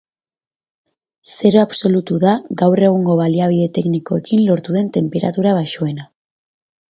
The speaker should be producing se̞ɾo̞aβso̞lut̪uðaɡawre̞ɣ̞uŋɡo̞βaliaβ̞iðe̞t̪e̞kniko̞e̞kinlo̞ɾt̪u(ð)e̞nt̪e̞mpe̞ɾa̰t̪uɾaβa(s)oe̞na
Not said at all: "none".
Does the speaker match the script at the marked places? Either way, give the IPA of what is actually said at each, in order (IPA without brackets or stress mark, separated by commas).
ð, ʃ